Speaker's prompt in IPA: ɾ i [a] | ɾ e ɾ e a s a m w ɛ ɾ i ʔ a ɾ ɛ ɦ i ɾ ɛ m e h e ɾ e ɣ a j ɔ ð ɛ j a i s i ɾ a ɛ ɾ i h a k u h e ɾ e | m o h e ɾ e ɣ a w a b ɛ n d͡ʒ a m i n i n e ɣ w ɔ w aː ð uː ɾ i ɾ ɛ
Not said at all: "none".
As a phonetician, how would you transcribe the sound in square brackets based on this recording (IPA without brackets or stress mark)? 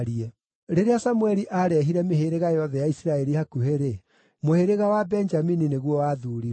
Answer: ɛ